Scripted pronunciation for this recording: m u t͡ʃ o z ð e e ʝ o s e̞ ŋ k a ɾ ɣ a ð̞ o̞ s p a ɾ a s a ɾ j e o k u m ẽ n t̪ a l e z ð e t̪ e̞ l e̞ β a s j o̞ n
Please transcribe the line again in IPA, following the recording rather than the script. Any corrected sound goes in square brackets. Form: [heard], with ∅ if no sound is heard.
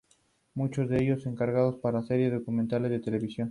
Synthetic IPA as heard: m u t͡ʃ o z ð e e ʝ o s e̞ ŋ k a ɾ ɣ a ð̞ o̞ s p a ɾ a s [e] ɾ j e o k u m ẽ n t̪ a l e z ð e t̪ e̞ l e̞ β [i] s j o̞ n